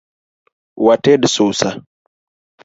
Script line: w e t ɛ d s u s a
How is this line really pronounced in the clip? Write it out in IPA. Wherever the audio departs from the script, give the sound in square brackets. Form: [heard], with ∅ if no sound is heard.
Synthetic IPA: w [a] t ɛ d s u s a